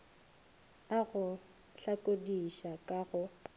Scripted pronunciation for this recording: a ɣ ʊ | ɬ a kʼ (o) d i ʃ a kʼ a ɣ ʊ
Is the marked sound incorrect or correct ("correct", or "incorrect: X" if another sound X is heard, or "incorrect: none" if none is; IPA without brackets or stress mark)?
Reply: correct